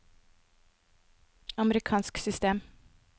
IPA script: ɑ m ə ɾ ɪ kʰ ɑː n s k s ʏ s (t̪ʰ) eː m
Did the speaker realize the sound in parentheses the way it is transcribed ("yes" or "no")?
no